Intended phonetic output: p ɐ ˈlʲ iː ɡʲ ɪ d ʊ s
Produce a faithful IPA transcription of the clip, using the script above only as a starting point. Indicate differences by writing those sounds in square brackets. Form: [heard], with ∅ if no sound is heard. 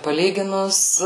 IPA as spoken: p ɐ ˈlʲ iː ɡʲ ɪ [n] ʊ s